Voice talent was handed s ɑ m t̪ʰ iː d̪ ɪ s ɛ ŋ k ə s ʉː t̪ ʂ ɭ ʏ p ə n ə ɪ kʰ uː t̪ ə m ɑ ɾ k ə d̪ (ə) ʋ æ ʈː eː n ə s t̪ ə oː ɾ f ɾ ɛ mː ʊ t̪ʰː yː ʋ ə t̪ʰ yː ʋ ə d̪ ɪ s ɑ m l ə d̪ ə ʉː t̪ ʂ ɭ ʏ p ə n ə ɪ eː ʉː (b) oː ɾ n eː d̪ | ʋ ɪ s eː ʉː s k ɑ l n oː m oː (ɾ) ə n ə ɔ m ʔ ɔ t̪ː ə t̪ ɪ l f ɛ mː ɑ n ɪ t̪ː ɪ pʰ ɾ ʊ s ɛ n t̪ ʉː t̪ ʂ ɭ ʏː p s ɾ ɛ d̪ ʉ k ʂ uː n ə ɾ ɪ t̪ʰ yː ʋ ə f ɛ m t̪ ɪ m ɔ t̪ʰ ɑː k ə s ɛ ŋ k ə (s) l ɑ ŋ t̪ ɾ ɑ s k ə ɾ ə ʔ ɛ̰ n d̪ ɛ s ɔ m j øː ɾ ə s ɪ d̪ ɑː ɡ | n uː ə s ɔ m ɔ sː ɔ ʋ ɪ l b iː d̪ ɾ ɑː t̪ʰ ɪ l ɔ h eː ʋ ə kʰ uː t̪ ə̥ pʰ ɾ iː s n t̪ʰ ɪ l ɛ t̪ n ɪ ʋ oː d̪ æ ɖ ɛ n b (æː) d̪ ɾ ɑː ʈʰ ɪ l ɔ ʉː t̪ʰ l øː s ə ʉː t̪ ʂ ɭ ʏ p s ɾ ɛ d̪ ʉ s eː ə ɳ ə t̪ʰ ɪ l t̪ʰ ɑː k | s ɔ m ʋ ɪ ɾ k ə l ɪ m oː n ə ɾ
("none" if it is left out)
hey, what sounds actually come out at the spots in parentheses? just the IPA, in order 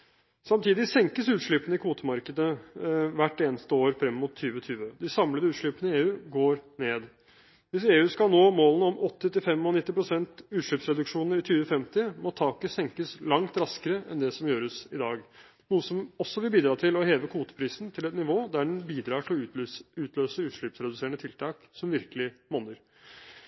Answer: ə, ɡ, l, s, iː

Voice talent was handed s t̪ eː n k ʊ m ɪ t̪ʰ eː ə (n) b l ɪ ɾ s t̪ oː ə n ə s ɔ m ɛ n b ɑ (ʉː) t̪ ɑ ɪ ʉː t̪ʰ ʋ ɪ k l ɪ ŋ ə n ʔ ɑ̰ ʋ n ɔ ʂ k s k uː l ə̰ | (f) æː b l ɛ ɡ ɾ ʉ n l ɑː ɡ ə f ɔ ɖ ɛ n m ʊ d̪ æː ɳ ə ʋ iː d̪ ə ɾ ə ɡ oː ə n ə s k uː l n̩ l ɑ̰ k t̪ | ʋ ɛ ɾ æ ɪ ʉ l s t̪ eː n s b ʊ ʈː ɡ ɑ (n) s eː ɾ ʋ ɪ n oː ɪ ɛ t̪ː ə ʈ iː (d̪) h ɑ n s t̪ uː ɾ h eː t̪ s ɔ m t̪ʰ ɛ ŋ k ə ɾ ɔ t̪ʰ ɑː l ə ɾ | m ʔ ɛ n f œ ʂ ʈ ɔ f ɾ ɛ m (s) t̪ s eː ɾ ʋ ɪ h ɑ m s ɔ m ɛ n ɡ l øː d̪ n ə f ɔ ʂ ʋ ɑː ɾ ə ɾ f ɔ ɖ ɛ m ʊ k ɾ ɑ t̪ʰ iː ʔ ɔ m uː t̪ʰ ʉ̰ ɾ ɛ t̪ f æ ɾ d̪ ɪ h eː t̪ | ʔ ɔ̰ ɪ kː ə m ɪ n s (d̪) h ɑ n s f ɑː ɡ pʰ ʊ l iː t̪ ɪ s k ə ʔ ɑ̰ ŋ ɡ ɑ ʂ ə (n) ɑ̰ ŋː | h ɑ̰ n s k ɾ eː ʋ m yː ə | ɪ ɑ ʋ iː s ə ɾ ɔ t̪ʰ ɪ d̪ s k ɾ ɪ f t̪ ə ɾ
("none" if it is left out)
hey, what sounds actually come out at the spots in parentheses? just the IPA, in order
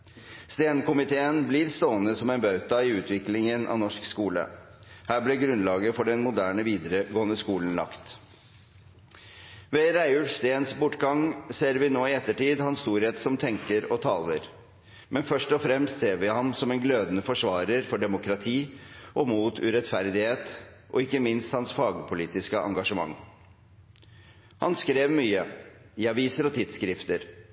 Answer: n, ʉ, h, ŋ, d̪, s, t̪, m

